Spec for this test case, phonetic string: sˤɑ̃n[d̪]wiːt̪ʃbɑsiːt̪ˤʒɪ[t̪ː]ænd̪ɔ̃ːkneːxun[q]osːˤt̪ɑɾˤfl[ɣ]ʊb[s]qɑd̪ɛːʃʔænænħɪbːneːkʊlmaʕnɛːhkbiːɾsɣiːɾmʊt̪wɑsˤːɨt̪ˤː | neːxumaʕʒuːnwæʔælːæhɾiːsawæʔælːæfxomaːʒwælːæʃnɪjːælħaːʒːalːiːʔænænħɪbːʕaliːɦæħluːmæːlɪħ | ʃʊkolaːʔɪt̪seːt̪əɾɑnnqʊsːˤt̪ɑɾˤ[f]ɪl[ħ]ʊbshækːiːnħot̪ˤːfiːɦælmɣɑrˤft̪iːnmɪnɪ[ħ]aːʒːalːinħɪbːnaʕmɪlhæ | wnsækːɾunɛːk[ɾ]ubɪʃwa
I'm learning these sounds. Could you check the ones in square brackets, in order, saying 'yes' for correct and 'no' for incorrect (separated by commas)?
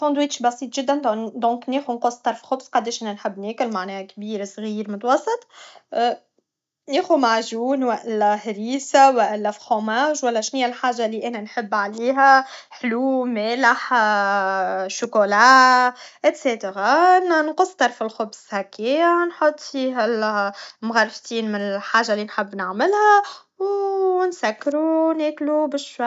yes, no, yes, no, yes, yes, no, yes, no